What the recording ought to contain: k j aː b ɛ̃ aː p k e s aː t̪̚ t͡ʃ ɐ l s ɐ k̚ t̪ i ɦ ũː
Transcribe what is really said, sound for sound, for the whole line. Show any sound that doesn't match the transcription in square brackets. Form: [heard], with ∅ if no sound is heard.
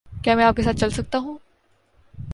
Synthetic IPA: k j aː [m] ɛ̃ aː p k e s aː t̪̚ t͡ʃ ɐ l s ɐ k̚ t̪ [a] ɦ ũː

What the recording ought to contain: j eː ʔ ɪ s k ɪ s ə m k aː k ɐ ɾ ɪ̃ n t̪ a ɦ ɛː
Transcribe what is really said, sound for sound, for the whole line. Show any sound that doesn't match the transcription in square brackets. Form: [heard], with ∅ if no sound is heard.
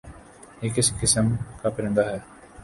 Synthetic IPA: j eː [k] ɪ s k ɪ s ə m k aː [p] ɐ ɾ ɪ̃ n [d̪] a ɦ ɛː

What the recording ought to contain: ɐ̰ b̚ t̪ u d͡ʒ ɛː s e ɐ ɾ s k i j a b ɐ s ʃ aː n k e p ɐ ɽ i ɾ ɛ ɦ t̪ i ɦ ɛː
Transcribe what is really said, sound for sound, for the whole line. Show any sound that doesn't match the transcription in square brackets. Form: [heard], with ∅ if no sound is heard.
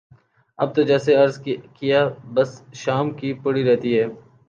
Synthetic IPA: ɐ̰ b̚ t̪ [o] d͡ʒ ɛː s e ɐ ɾ [z] k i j a b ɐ s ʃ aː [m] k [i] p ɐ ɽ i ɾ ɛ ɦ t̪ i ɦ ɛː

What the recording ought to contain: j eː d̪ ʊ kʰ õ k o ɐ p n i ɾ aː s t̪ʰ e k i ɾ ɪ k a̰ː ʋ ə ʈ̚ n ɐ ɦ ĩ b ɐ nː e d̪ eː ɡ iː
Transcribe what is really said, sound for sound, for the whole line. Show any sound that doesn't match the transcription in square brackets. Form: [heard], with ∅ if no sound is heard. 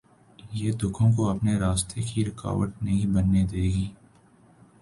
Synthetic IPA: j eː d̪ ʊ kʰ õ k o ɐ p n [e] ɾ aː s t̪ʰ e k i ɾ ɪ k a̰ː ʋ ə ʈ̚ n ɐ ɦ ĩ b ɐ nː e d̪ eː ɡ iː

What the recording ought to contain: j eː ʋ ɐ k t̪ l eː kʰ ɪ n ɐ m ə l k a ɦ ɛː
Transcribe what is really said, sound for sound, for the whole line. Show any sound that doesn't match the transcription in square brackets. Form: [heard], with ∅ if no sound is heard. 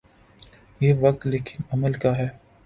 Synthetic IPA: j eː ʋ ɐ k t̪ l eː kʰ ɪ n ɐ m ə l k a ɦ ɛː

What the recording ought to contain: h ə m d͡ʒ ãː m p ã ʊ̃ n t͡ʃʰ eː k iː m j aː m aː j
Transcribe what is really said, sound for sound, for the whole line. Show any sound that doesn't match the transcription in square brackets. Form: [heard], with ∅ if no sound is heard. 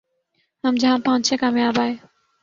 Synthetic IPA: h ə m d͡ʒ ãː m p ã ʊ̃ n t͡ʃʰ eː k [aː] m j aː [b] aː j

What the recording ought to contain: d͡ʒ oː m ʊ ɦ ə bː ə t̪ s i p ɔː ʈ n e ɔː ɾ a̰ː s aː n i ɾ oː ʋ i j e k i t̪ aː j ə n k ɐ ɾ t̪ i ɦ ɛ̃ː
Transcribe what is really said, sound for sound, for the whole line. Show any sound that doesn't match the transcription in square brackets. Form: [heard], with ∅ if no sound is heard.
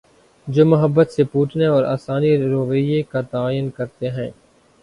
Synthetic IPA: d͡ʒ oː m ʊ ɦ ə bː ə t̪ s [e] p [uː] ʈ n e ɔː ɾ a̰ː s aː n i ɾ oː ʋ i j e k [a] t̪ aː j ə n k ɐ ɾ t̪ [e] ɦ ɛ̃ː

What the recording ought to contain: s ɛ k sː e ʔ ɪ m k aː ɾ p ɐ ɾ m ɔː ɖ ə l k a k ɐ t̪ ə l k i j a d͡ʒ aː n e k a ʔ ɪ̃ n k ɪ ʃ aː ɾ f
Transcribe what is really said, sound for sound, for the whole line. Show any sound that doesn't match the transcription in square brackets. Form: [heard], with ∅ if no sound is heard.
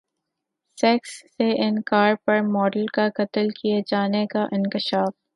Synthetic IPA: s ɛ k sː e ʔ ɪ [n] k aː ɾ p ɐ ɾ m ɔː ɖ ə l k a k ɐ t̪ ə l k i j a d͡ʒ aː n e k a ʔ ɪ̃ n k ɪ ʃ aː [∅] f

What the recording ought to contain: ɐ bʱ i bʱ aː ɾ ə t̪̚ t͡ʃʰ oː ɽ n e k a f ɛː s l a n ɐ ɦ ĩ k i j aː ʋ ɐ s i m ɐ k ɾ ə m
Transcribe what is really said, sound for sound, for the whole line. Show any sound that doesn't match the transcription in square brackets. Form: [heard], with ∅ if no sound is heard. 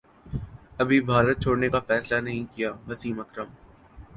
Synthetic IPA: ɐ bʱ i bʱ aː ɾ ə t̪̚ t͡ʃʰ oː ɽ n e k a f ɛː s l a n ɐ ɦ ĩ k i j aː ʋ ɐ s [iː] m ɐ k ɾ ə m

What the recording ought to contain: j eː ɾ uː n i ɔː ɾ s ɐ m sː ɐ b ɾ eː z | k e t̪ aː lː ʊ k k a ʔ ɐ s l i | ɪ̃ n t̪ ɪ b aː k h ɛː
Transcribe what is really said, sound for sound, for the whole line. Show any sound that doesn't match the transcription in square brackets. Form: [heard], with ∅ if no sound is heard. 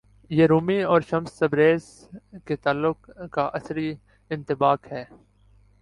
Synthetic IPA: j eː ɾ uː [m] i ɔː ɾ [ʃ] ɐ m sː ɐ b ɾ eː z | k e t̪ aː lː ʊ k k a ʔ ɐ s [ɾ] i | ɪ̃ n t̪ ɪ b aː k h ɛː

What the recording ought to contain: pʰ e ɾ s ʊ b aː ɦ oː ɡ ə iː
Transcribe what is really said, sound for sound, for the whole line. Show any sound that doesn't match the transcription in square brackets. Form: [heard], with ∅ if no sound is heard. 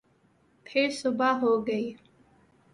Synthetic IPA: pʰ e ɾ s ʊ b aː ɦ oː ɡ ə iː

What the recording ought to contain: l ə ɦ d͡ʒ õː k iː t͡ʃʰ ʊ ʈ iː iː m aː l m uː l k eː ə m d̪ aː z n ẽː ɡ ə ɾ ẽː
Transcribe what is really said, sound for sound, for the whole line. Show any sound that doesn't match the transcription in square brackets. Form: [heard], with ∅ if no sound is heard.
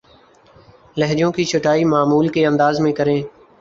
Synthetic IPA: l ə ɦ d͡ʒ õː k iː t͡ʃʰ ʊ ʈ [aː] iː m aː [∅] m uː l k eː ə [n] d̪ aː z [m] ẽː [k] ə ɾ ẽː

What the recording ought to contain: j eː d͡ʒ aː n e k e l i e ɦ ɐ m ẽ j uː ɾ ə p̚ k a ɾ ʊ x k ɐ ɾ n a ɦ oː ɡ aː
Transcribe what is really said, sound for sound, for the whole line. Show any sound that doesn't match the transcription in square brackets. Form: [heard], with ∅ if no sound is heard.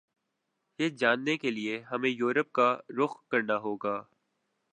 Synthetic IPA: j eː d͡ʒ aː [nː] e k e l i e ɦ ɐ m ẽ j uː ɾ ə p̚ k a ɾ ʊ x k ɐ ɾ n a ɦ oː ɡ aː

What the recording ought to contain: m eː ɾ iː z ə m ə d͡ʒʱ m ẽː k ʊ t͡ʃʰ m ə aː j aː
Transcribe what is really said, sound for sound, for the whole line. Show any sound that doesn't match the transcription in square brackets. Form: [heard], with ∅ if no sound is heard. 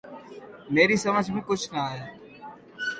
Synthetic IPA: m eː ɾ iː [s] ə m ə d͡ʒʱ m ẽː k ʊ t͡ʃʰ [n] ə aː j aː

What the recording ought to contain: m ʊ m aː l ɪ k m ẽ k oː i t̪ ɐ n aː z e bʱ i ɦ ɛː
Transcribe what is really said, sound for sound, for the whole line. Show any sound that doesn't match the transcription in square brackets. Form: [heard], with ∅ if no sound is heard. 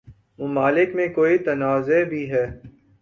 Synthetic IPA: m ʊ m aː l ɪ k m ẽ k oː i t̪ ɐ n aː z e bʱ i ɦ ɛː

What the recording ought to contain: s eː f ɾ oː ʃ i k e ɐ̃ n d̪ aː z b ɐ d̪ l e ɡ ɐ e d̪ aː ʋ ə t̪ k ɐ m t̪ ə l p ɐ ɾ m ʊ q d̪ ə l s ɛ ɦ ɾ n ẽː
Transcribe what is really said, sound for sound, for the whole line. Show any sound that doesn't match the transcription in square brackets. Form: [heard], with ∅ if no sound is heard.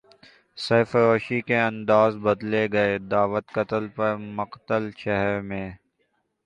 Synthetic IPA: s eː f ɾ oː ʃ i k e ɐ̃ n d̪ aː z b ɐ d̪ l e ɡ ɐ e d̪ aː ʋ ə t̪ k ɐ [∅] t̪ ə l p ɐ ɾ m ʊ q [t̪] ə l [ʃ] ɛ ɦ ɾ [m] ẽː

